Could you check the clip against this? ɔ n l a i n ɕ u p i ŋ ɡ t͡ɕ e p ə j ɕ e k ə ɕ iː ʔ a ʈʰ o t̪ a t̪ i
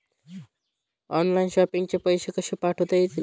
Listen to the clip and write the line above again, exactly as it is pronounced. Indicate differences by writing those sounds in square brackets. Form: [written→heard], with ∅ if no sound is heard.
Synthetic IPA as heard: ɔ n l a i n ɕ [u→ɔ] p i ŋ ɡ t͡ɕ e p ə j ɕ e k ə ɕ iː [ʔ→p] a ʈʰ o t̪ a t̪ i